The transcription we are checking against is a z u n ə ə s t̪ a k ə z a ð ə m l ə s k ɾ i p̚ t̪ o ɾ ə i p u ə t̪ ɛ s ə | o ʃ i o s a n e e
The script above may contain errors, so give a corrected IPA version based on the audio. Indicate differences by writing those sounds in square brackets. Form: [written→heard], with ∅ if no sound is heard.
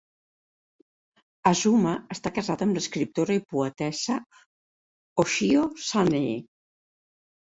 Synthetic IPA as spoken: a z u [n→m] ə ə s t̪ a k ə z a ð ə m l ə s k ɾ i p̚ t̪ o ɾ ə i p u ə t̪ ɛ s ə | o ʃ i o s a n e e

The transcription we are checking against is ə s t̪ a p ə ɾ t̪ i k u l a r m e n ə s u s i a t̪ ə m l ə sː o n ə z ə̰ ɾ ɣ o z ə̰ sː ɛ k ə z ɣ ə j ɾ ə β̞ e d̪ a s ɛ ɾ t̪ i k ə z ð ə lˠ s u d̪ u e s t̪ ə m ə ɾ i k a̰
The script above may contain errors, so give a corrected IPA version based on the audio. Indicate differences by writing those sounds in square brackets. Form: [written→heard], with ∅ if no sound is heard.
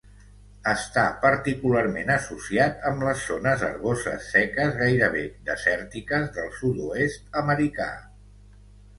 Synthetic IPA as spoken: ə s t̪ a p ə ɾ t̪ i k u l a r m e n ə s u s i a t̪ ə m l ə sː o n ə z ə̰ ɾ ɣ o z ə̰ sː ɛ k ə z ɣ [ə→a] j ɾ ə β̞ e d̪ [a→ə] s ɛ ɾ t̪ i k ə z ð ə lˠ s u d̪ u e s t̪ ə m ə ɾ i k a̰

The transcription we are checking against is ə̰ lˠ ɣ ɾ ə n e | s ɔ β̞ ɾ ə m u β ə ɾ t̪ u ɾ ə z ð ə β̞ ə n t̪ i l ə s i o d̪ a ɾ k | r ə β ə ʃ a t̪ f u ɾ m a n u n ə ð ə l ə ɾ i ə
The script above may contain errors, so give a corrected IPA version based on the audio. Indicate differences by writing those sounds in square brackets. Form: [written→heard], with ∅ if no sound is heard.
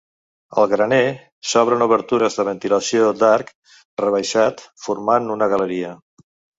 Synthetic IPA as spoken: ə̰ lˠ ɣ ɾ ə n e | s ɔ β̞ ɾ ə [m→n] u β ə ɾ t̪ u ɾ ə z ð ə β̞ ə n t̪ i l ə s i o d̪ a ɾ k | r ə β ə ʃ a t̪ f u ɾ m a n u n ə [ð→ɣ] ə l ə ɾ i ə

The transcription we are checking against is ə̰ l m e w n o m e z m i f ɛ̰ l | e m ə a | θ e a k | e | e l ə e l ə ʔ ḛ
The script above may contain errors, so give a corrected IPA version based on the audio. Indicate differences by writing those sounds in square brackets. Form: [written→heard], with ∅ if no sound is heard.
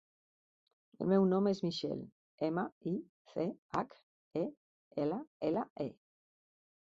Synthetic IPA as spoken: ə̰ l m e w n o m e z m i [f→ʃ] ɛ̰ l | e m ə [a→i] | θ e a k | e | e l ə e l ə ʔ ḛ

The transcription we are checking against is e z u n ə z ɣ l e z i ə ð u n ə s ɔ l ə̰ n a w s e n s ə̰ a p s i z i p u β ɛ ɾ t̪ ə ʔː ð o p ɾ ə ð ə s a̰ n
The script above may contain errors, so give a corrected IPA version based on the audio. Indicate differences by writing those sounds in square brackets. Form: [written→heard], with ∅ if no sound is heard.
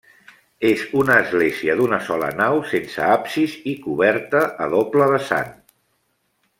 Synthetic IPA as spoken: e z u n [ə→əː] z ɣ l e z i ə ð u n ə s ɔ l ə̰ n a w s e n s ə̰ a p s i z i [p→k] u β ɛ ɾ t̪ ə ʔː ð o p [ɾ→l] ə ð ə s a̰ n

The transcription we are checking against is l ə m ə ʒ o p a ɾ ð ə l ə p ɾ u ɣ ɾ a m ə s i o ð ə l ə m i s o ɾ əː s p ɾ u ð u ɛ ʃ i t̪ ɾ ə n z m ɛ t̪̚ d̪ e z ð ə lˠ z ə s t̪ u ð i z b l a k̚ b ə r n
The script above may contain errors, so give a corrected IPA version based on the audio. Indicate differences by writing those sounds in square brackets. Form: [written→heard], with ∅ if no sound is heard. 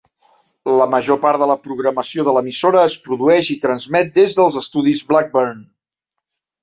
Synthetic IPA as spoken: l ə m ə ʒ o p a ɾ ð ə l ə p ɾ u ɣ ɾ [a→ə] m ə s i o ð ə l ə m i s o ɾ əː s p ɾ u ð u ɛ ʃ i t̪ ɾ ə n z m ɛ t̪̚ d̪ e z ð ə lˠ z ə s t̪ u ð i z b l a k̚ b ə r n

